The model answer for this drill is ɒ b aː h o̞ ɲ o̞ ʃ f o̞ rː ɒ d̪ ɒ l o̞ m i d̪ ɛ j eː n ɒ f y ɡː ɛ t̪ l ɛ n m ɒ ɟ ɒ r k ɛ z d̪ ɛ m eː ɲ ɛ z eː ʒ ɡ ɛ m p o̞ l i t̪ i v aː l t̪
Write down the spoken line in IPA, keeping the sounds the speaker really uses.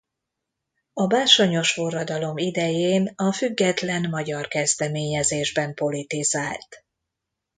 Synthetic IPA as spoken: ɒ b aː ʃ o̞ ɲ o̞ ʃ f o̞ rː ɒ d̪ ɒ l o̞ m i d̪ ɛ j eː n ɒ f y ɡː ɛ t̪ l ɛ n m ɒ ɟ ɒ r k ɛ z d̪ ɛ m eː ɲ ɛ z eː ʒ b ɛ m p o̞ l i t̪ i z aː l t̪